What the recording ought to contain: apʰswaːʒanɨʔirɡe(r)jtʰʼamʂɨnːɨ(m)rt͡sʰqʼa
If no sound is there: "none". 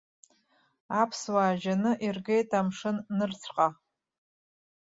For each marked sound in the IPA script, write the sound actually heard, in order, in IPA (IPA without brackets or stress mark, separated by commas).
none, none